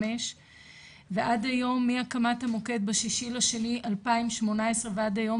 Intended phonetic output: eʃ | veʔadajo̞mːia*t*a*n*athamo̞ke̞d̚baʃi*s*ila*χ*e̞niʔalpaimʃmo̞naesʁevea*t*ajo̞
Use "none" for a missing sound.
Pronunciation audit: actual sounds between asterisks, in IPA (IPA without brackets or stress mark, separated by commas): k, m, ʃ, ʃ, d